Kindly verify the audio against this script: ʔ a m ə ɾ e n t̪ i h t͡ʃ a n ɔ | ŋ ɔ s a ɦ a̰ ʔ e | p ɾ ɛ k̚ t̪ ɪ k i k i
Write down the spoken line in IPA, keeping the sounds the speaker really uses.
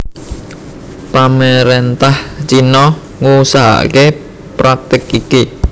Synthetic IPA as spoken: p a m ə ɾ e n t̪ a h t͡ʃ i n ɔ | ŋ u s a ɦ a̰ k e | p ɾ a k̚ t̪ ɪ k i k i